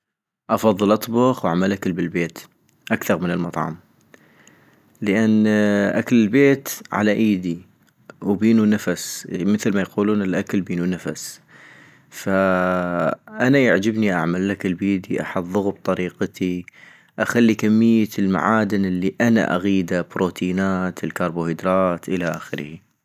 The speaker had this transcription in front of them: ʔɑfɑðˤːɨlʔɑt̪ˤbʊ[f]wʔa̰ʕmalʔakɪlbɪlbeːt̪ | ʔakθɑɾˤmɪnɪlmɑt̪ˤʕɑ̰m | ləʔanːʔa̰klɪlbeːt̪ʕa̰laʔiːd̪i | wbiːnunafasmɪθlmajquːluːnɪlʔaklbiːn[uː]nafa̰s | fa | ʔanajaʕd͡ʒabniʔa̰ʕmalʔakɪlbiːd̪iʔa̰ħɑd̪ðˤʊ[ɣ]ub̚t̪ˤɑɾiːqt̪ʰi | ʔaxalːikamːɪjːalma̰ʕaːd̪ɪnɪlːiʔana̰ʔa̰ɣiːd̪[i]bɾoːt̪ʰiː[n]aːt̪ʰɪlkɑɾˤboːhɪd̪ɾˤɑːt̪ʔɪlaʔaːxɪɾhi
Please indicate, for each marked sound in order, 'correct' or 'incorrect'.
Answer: incorrect, incorrect, correct, incorrect, correct

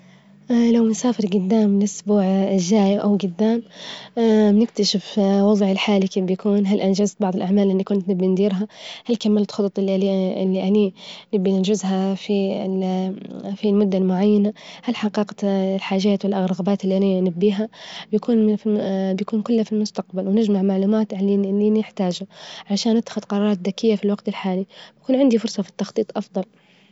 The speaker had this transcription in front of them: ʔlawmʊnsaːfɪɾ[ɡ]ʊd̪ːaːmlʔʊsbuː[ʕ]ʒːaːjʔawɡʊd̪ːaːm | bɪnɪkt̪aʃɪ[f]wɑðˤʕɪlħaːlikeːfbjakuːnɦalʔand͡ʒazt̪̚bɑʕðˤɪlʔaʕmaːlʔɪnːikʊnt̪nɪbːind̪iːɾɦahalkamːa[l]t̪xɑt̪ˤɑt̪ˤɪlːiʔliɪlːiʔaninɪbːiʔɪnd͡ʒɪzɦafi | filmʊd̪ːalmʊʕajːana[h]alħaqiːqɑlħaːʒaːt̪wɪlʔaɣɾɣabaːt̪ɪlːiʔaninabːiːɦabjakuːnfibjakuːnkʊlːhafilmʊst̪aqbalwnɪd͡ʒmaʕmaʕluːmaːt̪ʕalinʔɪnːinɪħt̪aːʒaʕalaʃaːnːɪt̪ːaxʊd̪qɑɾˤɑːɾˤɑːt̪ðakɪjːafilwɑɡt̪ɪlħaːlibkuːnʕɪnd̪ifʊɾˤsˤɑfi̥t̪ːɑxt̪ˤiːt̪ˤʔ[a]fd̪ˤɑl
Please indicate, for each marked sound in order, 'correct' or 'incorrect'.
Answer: correct, correct, correct, correct, correct, incorrect

